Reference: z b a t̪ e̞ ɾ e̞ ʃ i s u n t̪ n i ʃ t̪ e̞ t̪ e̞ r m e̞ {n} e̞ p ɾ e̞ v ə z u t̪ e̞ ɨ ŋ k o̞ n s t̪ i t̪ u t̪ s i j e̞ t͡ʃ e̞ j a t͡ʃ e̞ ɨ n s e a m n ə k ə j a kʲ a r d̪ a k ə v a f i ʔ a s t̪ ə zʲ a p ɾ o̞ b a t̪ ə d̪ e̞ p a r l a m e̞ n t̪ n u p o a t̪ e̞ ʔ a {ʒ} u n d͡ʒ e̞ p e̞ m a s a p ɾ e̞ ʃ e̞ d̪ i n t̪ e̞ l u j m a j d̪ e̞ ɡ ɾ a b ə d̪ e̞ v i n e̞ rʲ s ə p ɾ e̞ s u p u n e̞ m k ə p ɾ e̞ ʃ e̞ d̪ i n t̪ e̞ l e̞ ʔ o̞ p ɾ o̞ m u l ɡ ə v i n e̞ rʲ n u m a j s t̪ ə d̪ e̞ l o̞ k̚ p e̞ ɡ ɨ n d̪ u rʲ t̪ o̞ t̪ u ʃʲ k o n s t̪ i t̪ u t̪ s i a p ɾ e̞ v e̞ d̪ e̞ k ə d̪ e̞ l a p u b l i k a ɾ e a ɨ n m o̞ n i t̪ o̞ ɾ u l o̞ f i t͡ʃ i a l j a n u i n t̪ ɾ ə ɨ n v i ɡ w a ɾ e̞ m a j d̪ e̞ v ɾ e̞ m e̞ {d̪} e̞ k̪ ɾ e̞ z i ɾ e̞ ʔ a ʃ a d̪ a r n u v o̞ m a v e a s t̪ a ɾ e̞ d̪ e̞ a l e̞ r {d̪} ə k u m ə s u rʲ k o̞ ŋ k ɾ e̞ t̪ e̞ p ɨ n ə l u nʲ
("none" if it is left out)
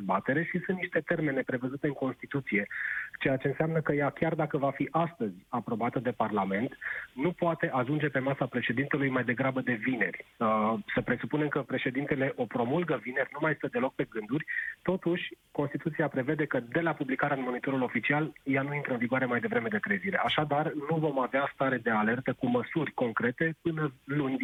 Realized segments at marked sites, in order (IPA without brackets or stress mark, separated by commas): n, ʒ, d̪, t̪